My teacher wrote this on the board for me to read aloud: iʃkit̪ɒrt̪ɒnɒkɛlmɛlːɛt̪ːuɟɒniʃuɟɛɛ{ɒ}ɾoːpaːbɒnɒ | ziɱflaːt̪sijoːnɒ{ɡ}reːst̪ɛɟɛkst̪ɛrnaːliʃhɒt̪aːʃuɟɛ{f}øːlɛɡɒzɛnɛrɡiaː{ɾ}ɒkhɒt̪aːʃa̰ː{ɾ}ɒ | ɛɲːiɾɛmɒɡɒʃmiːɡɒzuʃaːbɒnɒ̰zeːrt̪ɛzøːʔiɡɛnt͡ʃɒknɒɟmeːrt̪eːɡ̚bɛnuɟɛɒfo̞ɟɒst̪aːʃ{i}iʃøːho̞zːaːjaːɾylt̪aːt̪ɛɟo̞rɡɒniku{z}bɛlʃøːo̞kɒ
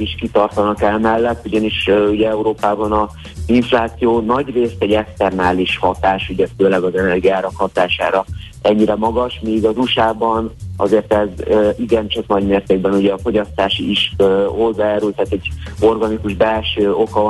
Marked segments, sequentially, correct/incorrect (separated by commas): incorrect, incorrect, correct, correct, correct, correct, incorrect